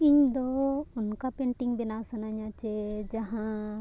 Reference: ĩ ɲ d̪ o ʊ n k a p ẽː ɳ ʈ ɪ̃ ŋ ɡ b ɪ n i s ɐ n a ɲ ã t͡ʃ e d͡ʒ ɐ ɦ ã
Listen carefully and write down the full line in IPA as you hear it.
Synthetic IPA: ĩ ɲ d̪ o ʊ n k a p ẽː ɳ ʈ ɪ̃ ŋ ɡ b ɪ n a s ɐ n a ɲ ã t͡ʃ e d͡ʒ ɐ ɦ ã